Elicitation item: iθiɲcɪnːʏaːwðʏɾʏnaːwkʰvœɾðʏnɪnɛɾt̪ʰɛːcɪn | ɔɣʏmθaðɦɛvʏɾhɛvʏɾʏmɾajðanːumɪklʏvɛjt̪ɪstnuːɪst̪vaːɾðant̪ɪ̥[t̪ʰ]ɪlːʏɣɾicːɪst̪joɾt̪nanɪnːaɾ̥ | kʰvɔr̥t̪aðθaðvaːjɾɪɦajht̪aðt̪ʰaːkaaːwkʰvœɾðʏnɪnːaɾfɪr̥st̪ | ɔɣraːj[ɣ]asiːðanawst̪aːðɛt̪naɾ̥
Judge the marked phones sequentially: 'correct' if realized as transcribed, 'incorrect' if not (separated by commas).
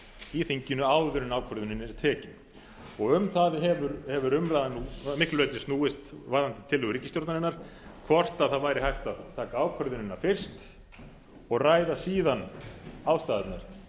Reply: correct, incorrect